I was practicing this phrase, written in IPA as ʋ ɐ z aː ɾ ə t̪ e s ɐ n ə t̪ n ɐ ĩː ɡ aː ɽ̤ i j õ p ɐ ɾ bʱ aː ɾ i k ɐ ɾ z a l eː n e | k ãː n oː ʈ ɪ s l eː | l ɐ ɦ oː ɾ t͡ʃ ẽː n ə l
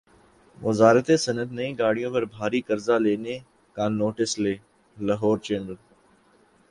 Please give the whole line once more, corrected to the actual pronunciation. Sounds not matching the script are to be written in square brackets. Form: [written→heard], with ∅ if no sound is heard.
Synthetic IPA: ʋ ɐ z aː ɾ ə t̪ e s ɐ n ə t̪ n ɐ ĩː ɡ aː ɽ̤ i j õ p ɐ ɾ bʱ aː ɾ i k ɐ ɾ z a l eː n e | k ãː n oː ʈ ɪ s l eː | l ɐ ɦ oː ɾ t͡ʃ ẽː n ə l